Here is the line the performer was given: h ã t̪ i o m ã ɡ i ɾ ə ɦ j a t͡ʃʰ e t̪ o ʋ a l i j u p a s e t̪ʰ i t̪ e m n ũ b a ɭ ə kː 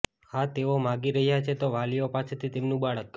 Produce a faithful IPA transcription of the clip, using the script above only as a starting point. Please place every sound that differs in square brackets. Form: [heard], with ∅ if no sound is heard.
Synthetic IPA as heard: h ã t̪ [e] o m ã ɡ i ɾ ə ɦ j a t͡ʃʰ e t̪ o ʋ a l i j [o] p a s e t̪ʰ i t̪ e m n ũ b a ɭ ə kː